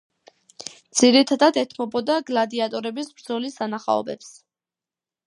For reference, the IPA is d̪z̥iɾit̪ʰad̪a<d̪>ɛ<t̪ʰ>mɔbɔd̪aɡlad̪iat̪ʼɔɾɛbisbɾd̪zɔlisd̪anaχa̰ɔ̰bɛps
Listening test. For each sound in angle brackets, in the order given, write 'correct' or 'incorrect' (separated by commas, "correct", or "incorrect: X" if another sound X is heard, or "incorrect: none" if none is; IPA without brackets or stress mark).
correct, correct